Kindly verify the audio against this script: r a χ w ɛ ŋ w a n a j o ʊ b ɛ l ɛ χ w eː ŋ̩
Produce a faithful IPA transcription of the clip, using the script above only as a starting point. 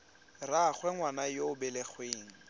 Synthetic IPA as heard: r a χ w ɛ ŋ w a n a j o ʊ b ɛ l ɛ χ w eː ŋ̩